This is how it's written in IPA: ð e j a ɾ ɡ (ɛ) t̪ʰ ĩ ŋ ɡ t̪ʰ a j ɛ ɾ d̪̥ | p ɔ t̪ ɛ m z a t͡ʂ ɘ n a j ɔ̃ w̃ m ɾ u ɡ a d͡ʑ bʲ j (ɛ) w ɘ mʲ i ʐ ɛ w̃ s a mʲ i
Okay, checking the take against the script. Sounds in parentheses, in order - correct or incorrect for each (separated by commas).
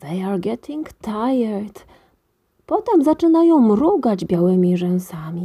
correct, incorrect